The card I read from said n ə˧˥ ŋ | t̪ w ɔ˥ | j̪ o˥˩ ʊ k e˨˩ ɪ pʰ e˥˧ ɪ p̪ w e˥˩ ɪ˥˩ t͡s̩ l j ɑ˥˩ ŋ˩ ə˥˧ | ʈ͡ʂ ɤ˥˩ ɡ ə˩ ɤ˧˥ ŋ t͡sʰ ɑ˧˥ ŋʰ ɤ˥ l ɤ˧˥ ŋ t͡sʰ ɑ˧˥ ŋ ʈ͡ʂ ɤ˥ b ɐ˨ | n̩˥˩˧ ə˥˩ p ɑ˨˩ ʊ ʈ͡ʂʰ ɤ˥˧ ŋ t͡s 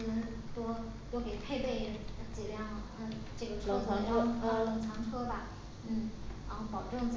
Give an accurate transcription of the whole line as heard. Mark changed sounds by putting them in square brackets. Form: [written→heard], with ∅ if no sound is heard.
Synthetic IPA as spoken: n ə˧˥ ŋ | t̪ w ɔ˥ | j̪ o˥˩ ʊ k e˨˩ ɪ pʰ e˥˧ ɪ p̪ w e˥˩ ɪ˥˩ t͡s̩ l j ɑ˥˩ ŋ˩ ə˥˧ | ʈ͡ʂ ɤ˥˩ ɡ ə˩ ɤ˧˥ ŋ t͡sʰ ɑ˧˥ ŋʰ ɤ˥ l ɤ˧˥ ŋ t͡sʰ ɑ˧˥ ŋ [ʈ͡ʂ→ʈ͡ʂʰ] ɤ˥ b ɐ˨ | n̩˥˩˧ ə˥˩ p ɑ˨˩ ʊ [ʈ͡ʂʰ→ʈ͡ʂ] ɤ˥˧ ŋ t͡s